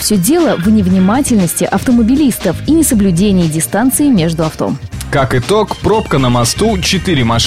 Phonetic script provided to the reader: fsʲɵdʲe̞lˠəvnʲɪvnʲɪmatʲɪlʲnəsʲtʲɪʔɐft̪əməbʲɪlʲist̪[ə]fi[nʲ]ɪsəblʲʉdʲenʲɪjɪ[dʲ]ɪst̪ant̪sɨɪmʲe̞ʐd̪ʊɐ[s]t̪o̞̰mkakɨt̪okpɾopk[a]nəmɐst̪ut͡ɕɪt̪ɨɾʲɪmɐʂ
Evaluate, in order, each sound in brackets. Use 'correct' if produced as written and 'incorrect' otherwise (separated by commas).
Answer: correct, correct, correct, incorrect, incorrect